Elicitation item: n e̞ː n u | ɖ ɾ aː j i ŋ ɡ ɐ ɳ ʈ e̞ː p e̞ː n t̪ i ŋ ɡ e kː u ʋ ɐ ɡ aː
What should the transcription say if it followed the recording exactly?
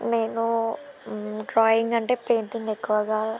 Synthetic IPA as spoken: n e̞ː n u | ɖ ɾ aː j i ŋ ɡ ɐ ɳ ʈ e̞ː p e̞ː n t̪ i ŋ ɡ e kː u ʋ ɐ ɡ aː

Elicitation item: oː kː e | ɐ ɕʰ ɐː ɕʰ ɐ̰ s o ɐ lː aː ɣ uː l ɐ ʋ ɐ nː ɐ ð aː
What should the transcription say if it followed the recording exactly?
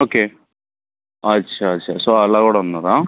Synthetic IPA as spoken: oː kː e | ɐ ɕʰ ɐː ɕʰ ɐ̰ s o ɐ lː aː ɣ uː ɽ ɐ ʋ ɐ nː ɐ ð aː

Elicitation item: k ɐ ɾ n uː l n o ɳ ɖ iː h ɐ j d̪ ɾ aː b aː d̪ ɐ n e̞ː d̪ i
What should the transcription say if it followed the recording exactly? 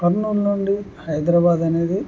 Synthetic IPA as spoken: k ɐ ɾ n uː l n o ɳ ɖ i h ɐ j d̪ ɾ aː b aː d̪ ɐ n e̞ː d̪ i

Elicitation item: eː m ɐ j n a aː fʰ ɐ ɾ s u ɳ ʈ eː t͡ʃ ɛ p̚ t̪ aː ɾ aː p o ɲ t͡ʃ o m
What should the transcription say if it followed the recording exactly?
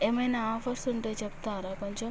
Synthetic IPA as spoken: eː m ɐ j n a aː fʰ ɐ ɾ s u ɳ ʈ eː t͡ʃ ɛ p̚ t̪ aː ɾ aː k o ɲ t͡ʃ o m

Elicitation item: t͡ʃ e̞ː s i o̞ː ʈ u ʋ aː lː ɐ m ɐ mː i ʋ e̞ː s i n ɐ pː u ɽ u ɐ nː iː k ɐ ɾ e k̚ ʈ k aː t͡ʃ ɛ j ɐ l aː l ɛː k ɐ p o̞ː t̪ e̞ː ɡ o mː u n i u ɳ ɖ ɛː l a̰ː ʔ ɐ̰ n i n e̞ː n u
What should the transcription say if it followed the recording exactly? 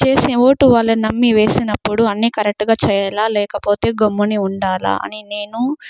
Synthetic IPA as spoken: t͡ʃ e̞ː s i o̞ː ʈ u ʋ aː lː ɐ n ɐ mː i ʋ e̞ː s i n ɐ pː u ɽ u ɐ nː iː k ɐ ɾ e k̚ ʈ ɡ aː t͡ʃ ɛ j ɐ l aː l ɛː k ɐ p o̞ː t̪ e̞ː ɡ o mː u n i u ɳ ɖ aː l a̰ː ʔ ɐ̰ n i n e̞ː n u

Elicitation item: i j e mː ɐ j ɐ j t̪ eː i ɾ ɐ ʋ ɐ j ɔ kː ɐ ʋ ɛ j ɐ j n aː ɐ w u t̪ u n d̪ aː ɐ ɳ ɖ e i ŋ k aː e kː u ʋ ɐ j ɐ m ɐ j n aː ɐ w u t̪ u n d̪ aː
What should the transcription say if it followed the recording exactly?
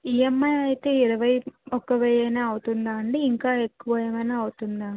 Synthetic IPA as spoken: i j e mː ɐ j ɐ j t̪ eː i ɾ ɐ ʋ ɐ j ɔ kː ɐ ʋ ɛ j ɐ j n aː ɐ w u t̪ u n d̪ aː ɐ ɳ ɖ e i ŋ k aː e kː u ʋ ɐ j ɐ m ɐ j n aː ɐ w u t̪ u n d̪ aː

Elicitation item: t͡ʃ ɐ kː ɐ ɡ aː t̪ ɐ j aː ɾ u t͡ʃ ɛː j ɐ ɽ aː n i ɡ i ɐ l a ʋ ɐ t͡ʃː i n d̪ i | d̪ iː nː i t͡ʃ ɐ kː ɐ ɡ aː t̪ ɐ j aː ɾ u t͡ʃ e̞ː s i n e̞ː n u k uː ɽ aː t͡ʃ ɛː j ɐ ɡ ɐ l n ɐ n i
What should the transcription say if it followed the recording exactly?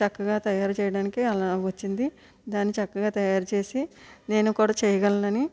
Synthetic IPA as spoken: t͡ʃ ɐ kː ɐ ɡ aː t̪ ɐ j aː ɾ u t͡ʃ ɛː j ɐ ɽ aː n i k i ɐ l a ʋ ɐ t͡ʃː i n d̪ i | d̪ aː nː i t͡ʃ ɐ kː ɐ ɡ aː t̪ ɐ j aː ɾ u t͡ʃ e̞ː s i n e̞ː n u k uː ɽ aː t͡ʃ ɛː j ɐ ɡ ɐ l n ɐ n i

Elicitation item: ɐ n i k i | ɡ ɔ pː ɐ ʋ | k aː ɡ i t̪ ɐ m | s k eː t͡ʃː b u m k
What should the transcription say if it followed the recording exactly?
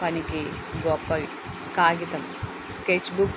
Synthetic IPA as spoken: ɐ n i k i | ɡ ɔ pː ɐ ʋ | k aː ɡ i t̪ ɐ m | s k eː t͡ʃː b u k

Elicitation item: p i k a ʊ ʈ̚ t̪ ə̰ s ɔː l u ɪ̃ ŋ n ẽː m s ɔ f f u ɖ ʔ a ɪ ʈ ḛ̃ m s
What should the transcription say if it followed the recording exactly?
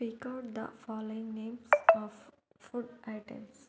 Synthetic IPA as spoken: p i k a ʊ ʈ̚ d̪ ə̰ f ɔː l o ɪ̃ ŋ n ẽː m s ɔ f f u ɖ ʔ a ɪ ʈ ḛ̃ m s

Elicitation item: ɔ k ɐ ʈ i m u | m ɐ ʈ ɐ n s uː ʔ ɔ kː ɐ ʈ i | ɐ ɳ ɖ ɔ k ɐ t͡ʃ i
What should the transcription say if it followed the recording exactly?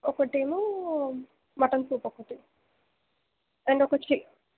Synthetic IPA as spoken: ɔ k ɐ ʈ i m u | m ɐ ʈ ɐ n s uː p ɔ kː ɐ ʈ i | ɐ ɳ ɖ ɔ k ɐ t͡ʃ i

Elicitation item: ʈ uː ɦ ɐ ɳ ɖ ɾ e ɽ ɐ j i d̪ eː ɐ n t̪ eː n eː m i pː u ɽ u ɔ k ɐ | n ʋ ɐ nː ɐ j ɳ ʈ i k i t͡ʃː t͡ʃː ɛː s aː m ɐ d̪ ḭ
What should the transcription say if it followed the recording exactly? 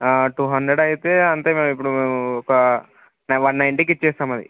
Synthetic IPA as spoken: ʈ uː ɦ ɐ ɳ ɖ ɾ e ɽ ɐ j i t̪ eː ɐ n t̪ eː m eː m i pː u ɽ u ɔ k ɐ | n ʋ ɐ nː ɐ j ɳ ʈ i k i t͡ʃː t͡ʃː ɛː s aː m ɐ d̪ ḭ

